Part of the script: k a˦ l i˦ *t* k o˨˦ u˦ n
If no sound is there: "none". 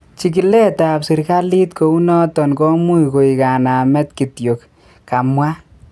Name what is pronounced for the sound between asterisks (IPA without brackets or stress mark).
t